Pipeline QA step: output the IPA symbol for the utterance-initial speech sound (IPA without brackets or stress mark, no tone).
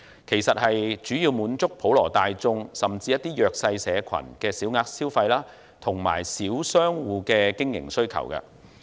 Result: kʰ